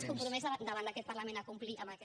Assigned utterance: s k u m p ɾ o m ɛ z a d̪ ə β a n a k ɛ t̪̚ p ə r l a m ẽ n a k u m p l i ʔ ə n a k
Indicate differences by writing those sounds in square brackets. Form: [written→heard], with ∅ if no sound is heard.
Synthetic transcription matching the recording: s k u m p ɾ [o→u] m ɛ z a d̪ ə β a n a k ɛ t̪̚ p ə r l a m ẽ n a k u m p l i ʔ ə [n→m] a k